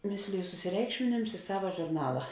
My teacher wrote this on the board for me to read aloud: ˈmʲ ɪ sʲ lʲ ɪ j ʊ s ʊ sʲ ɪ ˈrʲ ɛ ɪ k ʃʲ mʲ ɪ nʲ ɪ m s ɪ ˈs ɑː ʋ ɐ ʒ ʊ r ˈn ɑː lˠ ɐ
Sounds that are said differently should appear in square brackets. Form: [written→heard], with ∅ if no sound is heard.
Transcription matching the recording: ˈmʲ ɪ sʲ lʲ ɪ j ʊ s ʊ sʲ ɪ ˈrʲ ɛ ɪ k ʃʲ mʲ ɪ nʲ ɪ m s ɪ ˈs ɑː ʋ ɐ ʒ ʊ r ˈn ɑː lˠ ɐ